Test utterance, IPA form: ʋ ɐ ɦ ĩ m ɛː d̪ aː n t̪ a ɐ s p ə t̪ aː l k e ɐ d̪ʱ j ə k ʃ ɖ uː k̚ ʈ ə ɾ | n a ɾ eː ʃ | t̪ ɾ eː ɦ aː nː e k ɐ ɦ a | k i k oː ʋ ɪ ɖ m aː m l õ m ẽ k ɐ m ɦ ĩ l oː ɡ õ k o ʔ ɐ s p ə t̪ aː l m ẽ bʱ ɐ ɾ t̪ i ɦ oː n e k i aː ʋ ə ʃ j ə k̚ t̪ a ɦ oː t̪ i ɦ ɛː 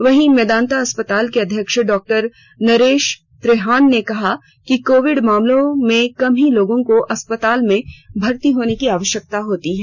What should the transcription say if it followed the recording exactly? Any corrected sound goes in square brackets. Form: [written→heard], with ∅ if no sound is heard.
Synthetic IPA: ʋ ɐ ɦ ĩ m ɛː d̪ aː n t̪ a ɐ s p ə t̪ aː l k e ɐ d̪ʱ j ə k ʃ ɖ [uː→ɔː] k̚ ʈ ə ɾ | n [a→ɐ] ɾ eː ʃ | t̪ ɾ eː ɦ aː nː e k ɐ ɦ a | k i k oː ʋ ɪ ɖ m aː m l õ m ẽ k ɐ m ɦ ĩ l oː ɡ õ k o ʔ ɐ s p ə t̪ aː l m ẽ bʱ ɐ ɾ t̪ i ɦ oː n e k i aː ʋ ə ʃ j ə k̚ t̪ a ɦ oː t̪ i ɦ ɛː